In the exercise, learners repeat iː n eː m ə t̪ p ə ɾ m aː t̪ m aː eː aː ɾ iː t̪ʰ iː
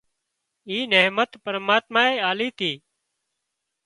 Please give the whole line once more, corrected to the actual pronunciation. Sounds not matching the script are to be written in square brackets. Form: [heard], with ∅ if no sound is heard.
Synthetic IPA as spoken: iː n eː m ə t̪ p ə ɾ m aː t̪ m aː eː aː [l] iː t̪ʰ iː

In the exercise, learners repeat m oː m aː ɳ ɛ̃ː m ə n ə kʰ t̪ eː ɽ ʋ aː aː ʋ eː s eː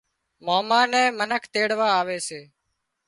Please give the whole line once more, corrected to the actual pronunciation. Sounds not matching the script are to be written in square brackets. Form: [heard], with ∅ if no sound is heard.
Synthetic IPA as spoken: m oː m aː [n] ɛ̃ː m ə n ə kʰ t̪ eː ɽ ʋ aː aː ʋ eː s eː

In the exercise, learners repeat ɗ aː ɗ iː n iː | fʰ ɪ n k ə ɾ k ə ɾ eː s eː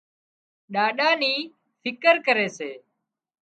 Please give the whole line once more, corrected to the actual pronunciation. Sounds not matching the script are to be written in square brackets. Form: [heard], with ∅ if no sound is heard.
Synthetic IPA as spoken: ɗ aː ɗ [aː] n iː | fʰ ɪ [∅] k ə ɾ k ə ɾ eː s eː

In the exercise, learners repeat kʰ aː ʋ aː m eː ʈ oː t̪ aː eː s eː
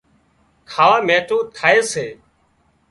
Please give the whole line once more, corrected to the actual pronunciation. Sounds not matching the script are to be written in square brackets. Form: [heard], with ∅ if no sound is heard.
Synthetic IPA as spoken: kʰ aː ʋ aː m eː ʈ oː [t̪ʰ] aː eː s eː

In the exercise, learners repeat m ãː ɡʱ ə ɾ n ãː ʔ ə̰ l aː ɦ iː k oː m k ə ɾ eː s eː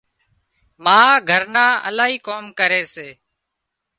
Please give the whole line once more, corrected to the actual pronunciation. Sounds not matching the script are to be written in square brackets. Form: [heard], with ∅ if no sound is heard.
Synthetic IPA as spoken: m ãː ɡʱ ə ɾ n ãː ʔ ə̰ l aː ɦ iː k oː m k ə ɾ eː s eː

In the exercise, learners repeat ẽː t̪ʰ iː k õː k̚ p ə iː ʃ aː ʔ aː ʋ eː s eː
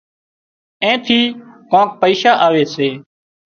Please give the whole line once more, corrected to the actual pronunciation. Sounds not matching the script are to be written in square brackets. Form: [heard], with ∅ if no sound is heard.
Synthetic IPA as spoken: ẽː t̪ʰ iː k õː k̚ p ə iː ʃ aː ʔ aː ʋ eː s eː

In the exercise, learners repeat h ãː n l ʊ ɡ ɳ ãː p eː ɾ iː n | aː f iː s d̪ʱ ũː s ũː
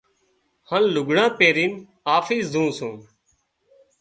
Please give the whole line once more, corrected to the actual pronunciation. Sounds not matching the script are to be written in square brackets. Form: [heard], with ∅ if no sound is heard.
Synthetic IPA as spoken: h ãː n l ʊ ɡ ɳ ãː p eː ɾ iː n | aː f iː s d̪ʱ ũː s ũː

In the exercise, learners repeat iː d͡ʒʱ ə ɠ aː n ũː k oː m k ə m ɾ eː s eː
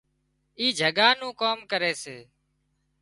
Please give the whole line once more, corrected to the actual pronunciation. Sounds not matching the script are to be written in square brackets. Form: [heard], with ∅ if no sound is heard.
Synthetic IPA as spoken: iː d͡ʒʱ ə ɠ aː n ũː k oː m k ə [∅] ɾ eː s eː

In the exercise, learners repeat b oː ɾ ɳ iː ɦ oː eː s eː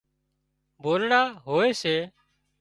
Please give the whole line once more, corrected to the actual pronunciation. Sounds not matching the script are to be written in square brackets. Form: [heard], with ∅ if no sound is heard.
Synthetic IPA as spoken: b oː [l] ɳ [aː] ɦ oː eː s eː

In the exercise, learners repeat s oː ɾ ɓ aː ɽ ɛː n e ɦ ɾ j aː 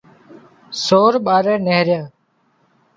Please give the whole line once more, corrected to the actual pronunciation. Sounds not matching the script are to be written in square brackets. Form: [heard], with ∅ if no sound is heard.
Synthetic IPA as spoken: s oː ɾ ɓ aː [ɾ] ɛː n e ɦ ɾ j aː

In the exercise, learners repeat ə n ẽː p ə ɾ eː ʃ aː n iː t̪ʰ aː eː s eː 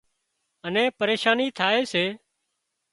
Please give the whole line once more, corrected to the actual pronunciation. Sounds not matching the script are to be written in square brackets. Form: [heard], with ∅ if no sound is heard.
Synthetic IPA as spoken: ə n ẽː p ə ɾ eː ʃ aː n iː t̪ʰ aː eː s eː

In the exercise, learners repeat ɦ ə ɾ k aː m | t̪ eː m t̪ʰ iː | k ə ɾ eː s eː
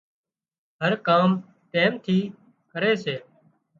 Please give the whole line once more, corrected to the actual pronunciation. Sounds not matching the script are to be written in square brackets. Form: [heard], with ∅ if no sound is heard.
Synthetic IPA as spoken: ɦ ə ɾ k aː m | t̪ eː m t̪ʰ iː | k ə ɾ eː s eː

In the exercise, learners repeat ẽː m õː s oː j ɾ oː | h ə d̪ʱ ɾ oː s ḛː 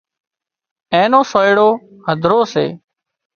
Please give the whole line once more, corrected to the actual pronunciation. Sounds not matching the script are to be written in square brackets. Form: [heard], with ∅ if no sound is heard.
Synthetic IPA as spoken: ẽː [n] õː s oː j [ɽ] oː | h ə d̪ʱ ɾ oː s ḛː

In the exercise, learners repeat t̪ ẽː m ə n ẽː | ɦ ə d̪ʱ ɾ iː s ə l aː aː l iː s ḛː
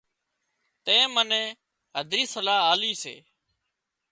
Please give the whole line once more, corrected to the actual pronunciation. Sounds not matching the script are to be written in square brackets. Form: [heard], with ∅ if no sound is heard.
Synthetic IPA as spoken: t̪ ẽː m ə n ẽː | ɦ ə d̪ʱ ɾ iː s ə l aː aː l iː s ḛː

